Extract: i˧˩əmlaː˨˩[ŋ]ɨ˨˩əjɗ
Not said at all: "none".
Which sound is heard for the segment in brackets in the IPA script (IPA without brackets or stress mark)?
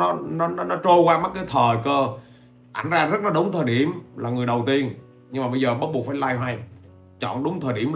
ŋ